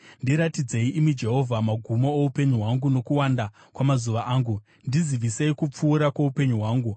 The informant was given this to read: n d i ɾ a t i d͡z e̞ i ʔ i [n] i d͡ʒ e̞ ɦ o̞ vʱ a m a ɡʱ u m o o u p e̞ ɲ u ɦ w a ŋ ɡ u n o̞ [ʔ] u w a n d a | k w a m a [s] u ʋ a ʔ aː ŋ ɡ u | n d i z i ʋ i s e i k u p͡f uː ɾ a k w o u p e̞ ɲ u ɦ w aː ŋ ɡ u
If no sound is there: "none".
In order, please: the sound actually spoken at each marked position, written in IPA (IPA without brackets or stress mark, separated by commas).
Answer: m, k, z